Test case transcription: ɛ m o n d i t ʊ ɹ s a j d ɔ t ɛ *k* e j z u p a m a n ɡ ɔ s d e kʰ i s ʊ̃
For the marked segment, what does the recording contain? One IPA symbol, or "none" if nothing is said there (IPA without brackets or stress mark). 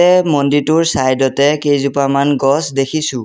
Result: k